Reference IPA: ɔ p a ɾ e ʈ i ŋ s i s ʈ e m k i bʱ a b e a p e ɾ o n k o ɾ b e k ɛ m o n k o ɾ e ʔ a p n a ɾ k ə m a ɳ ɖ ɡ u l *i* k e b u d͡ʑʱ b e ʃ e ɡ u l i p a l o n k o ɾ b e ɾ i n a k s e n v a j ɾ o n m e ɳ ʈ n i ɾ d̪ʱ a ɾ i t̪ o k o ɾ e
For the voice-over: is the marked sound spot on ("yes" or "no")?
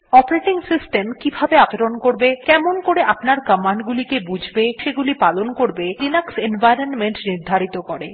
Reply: yes